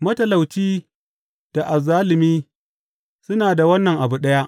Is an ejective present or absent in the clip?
absent